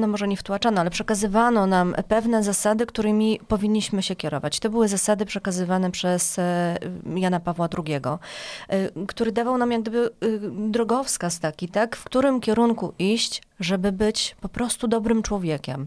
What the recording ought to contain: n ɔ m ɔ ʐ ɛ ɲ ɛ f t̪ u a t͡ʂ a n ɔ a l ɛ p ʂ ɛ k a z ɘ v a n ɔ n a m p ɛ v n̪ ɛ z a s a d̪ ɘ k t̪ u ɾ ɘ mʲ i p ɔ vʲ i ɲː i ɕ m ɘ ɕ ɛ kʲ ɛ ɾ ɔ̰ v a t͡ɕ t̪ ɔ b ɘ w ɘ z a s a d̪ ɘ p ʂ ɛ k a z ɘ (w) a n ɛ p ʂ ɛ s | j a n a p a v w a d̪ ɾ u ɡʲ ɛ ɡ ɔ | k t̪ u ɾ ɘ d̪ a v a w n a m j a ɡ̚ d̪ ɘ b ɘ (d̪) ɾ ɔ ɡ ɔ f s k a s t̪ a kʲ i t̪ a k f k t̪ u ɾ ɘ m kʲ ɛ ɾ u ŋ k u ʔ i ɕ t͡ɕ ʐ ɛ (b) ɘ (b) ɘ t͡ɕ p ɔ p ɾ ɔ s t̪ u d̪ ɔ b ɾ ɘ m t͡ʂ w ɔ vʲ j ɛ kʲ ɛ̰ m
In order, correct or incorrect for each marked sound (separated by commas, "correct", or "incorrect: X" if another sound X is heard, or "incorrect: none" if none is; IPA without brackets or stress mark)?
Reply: incorrect: v, correct, correct, correct